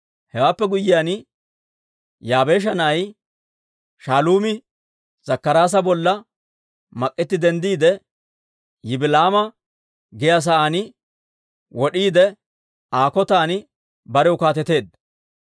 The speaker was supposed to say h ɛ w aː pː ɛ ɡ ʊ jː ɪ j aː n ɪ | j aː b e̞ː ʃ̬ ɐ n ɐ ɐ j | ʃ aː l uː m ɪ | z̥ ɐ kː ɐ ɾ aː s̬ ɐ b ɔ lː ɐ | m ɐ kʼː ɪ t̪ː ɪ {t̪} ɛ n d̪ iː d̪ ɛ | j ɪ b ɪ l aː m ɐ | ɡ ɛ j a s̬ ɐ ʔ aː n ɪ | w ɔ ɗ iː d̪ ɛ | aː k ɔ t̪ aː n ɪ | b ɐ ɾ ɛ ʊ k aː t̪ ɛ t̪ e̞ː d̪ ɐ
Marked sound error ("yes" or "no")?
yes